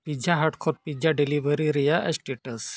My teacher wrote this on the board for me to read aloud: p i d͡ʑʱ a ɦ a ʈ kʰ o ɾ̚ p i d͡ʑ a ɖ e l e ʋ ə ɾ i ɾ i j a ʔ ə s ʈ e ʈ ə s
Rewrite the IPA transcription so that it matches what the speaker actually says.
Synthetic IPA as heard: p i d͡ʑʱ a ɦ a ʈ kʰ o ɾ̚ p i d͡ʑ a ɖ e l i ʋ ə ɾ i ɾ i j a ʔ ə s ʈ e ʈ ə s